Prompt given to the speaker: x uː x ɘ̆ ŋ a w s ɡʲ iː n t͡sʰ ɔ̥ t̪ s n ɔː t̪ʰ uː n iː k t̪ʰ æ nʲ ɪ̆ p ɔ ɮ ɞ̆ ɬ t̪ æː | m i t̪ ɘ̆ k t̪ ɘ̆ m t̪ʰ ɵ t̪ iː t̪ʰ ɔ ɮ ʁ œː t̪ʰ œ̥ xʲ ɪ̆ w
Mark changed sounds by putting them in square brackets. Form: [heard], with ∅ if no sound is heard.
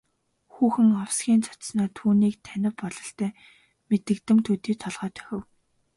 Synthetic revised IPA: x uː x ɘ̆ ŋ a w s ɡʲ iː n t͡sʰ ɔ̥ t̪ s n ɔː t̪ʰ uː n iː k t̪ʰ æ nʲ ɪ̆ p ɔ ɮ ɞ̆ ɬ t̪ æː | m [e] t̪ ɘ̆ k t̪ ɘ̆ m t̪ʰ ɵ t̪ iː t̪ʰ ɔ ɮ ʁ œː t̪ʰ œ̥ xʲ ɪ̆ w